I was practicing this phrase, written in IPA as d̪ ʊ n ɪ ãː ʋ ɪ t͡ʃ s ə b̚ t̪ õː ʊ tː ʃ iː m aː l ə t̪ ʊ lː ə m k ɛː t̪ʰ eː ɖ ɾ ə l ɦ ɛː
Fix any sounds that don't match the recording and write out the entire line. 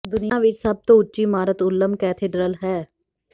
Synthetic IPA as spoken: d̪ ʊ n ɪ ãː ʋ ɪ t͡ʃ s ə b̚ t̪ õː ʊ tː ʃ iː m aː ɾ ə t̪ ʊ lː ə m k ɛː t̪ʰ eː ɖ ɾ ə l ɦ ɛː

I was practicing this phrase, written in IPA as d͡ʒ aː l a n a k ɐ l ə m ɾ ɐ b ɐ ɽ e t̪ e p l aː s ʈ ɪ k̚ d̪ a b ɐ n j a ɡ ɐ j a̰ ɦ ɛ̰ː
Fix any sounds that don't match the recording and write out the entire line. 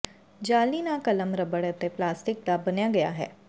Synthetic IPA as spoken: d͡ʒ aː l i n a k ɐ l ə m ɾ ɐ b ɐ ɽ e t̪ e p l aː s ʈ ɪ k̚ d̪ a b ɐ n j a ɡ ɐ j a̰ ɦ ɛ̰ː

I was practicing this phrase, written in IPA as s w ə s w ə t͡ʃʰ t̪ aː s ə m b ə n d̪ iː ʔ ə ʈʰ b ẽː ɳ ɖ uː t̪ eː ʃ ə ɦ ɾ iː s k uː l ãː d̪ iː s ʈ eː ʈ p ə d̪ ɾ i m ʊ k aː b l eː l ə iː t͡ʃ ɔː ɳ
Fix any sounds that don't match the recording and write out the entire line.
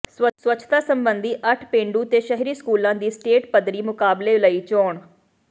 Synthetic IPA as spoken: s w ə s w ə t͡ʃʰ t̪ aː s ə m b ə n d̪ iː ʔ ə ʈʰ p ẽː ɳ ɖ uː t̪ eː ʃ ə ɦ ɾ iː s k uː l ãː d̪ iː s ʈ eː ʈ p ə d̪ ɾ iː m ʊ k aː b l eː l ə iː t͡ʃ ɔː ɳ

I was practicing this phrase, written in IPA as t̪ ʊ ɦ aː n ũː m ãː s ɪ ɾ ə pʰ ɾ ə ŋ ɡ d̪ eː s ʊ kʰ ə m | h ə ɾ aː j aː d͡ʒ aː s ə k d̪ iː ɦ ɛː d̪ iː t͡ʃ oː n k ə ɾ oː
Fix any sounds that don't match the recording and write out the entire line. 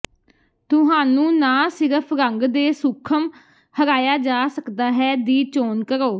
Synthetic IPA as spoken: t̪ ʊ ɦ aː n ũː n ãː s ɪ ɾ ə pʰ ɾ ə ŋ ɡ d̪ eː s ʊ kʰ ə m | h ə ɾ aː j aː d͡ʒ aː s ə k d̪ aː ɦ ɛː d̪ iː t͡ʃ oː n k ə ɾ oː

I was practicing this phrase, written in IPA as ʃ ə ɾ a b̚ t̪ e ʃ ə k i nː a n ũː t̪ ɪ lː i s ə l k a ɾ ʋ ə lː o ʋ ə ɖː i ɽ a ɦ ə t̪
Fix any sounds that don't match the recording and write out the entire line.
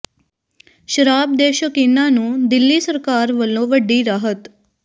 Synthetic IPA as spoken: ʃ ə ɾ a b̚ d̪ e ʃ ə k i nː a n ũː d̪ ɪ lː i s ə ɾ k a ɾ ʋ ə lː o ʋ ə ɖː i ɾ a ɦ ə t̪

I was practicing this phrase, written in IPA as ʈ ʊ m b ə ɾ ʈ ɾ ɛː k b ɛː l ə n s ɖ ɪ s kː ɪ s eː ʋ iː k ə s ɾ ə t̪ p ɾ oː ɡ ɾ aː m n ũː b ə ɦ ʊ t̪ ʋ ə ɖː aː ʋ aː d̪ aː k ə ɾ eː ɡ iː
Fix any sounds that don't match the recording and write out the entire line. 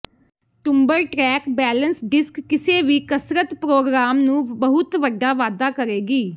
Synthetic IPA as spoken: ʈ ʊ m b ə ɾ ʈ ɾ ɛː k b ɛː l ə n s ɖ ɪ s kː ɪ s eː ʋ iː k ə s ɾ ə t̪ p ɾ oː ɡ ɾ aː m n ũː b ə ɦ ʊ t̪ ʋ ə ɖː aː ʋ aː d̪ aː k ə ɾ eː ɡ iː

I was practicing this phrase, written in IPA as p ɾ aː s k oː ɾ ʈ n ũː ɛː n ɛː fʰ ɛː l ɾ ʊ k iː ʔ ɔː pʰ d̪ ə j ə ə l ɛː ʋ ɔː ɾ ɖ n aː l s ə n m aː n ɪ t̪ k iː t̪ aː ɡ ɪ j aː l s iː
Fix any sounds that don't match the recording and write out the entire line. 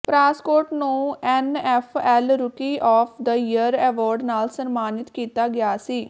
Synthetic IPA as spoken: p ɾ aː s k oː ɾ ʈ n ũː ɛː n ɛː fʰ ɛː l ɾ ʊ k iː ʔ ɔː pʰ d̪ ə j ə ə ɾ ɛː ʋ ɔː ɾ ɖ n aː l s ə n m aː n ɪ t̪ k iː t̪ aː ɡ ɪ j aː s iː

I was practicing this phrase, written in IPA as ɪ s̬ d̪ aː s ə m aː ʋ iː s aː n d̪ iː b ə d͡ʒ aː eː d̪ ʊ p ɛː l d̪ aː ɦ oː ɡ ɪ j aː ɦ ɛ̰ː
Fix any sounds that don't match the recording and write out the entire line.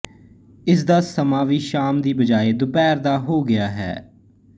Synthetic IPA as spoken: ɪ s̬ d̪ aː s ə m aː ʋ iː ʃ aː m d̪ iː b ə d͡ʒ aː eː d̪ ʊ p ɛː ɾ d̪ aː ɦ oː ɡ ɪ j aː ɦ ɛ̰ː

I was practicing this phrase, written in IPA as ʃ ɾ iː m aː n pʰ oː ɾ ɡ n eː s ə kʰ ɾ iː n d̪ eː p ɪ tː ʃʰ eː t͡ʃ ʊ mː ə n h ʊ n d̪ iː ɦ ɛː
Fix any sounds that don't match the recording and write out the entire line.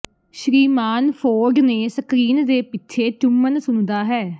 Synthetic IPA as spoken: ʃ ɾ iː m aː n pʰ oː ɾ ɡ n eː s ə k ɾ iː n d̪ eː p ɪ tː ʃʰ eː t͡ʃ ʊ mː ə n s ʊ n d̪ aː ɦ ɛː

